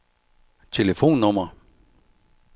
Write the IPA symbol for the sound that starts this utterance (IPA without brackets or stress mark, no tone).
t͡sʰ